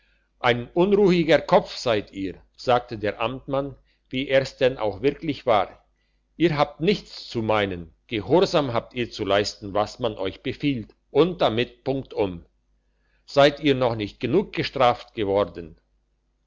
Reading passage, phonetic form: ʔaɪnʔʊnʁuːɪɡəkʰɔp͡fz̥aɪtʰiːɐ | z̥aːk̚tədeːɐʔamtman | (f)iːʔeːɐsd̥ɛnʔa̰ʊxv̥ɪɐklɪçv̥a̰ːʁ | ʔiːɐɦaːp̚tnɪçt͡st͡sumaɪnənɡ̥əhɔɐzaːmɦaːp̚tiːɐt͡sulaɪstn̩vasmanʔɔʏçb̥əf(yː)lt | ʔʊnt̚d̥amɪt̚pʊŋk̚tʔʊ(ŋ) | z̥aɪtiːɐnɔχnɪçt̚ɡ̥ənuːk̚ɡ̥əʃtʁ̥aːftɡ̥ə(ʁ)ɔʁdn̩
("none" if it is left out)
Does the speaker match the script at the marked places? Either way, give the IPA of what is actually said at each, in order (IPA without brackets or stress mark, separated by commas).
v, iː, m, v